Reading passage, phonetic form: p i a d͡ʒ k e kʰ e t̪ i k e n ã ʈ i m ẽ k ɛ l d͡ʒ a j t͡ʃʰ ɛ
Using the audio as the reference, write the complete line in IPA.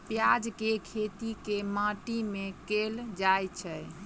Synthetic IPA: p j a d͡ʒ k e kʰ e t̪ i k e m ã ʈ i m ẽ k e l d͡ʒ a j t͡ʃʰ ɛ